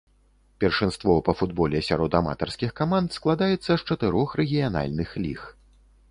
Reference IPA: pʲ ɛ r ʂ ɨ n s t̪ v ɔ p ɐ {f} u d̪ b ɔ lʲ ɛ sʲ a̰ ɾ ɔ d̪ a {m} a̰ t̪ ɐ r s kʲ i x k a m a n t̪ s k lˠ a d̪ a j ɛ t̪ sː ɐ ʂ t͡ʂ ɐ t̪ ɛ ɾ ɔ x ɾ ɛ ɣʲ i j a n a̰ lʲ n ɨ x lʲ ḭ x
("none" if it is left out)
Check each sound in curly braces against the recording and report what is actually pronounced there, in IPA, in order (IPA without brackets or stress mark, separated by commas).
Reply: f, m